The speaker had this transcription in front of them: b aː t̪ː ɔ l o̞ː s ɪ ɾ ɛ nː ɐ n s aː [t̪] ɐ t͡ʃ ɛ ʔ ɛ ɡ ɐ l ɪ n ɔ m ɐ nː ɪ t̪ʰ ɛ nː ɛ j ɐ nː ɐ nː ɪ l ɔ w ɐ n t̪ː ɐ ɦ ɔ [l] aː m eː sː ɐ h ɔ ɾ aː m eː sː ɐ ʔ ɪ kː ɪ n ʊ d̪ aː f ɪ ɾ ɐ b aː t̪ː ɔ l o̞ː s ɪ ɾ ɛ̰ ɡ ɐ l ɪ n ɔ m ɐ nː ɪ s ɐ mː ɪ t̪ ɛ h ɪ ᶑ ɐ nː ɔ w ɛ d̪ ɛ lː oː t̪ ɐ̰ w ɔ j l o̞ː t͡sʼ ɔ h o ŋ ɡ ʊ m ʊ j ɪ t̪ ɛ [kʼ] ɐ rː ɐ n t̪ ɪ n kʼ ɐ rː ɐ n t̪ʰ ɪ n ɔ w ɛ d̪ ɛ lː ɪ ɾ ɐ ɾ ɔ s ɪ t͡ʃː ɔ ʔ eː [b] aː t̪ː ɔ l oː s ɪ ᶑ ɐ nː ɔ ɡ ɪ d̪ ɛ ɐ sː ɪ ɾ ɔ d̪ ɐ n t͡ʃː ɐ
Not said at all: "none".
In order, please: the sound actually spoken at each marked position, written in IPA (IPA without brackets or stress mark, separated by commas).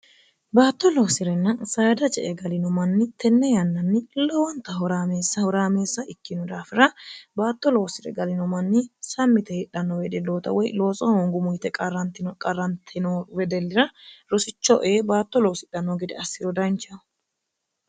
d̪, ɾ, kʼ, b